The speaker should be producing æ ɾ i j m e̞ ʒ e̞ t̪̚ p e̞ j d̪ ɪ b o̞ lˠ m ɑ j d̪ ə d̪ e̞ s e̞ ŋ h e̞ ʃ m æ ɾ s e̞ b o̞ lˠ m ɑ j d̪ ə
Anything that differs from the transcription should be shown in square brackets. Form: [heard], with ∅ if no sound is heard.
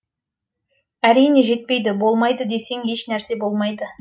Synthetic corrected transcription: æ ɾ i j [n] e̞ ʒ e̞ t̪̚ p e̞ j d̪ ɪ b o̞ lˠ m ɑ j d̪ ə d̪ e̞ s e̞ ŋ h e̞ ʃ [n] æ ɾ s e̞ b o̞ lˠ m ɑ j d̪ ə